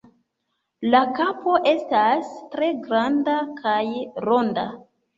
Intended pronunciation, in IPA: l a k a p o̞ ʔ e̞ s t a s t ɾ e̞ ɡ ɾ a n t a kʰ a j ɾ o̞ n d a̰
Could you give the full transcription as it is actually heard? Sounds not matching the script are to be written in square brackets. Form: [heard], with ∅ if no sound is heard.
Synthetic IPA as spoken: l a k a p o̞ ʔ e̞ s t a s t ɾ e̞ ɡ ɾ a n [d] a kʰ a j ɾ o̞ n d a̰